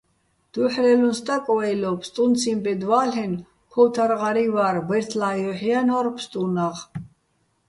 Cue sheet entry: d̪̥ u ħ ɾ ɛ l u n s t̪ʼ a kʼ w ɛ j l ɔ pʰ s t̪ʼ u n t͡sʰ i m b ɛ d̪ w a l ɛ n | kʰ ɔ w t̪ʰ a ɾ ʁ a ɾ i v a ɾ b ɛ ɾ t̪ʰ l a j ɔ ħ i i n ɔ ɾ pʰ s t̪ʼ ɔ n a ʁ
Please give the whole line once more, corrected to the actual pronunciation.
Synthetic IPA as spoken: d̪̥ u ħ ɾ ɛ l u n s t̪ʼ a kʼ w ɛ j l ɔ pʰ s t̪ʼ u n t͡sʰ i m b ɛ d̪ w a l ɛ n | kʰ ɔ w t̪ʰ a ɾ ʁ a ɾ i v a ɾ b ɛ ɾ t̪ʰ l a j ɔ ħ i a n ɔ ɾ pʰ s t̪ʼ u n a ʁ